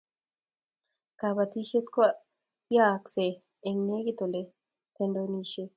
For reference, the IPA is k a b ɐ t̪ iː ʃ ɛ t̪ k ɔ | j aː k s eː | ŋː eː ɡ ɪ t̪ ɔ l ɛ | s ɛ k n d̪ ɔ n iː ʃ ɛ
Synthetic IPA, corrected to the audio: k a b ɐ t̪ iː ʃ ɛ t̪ k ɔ | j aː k s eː | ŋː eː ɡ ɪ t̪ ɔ l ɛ | s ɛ n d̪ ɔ n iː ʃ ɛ